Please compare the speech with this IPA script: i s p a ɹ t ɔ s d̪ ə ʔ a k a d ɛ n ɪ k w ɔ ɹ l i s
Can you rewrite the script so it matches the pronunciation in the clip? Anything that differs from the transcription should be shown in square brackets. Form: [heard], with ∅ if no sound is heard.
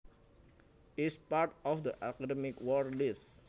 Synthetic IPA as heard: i s p a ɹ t ɔ [f] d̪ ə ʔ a k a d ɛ [m] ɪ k w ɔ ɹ l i s